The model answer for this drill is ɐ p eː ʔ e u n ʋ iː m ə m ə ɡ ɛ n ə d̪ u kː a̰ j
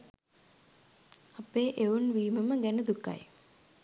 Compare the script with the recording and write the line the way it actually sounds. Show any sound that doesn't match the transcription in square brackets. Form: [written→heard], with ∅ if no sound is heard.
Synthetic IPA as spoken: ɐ p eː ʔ e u n ʋ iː m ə m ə ɡ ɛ n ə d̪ u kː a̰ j